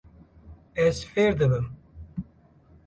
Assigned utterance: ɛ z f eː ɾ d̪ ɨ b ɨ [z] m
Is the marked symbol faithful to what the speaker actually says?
no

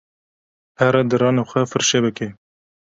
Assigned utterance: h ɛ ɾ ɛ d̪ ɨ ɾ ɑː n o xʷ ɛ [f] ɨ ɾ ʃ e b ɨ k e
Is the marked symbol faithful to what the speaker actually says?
yes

